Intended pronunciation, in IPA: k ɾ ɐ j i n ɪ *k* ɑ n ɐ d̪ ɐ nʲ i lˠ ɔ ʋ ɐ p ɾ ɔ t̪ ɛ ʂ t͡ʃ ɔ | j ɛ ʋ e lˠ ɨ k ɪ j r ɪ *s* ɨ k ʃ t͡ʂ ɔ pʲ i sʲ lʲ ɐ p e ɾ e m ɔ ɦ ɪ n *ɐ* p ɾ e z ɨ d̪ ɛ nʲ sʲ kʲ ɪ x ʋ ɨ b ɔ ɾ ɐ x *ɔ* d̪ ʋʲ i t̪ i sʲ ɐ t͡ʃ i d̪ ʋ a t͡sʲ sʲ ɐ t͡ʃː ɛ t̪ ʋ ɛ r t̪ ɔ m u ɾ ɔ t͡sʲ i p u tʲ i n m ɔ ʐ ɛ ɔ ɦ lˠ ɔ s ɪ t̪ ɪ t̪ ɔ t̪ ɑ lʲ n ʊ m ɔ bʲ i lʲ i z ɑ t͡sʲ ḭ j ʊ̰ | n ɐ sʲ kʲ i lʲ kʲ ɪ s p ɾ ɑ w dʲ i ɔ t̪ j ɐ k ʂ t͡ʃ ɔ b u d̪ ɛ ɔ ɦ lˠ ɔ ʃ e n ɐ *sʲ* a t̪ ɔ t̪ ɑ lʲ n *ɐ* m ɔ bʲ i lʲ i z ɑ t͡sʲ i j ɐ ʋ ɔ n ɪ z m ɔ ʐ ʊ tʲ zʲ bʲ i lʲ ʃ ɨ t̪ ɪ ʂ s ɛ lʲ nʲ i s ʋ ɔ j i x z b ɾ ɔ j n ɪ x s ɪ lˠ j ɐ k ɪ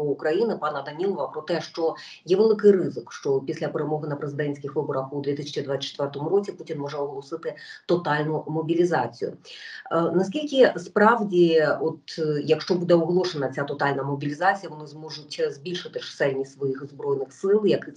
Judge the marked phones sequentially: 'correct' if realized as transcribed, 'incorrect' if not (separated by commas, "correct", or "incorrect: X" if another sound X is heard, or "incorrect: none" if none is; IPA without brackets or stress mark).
incorrect: p, incorrect: z, correct, incorrect: u, incorrect: t͡sʲ, correct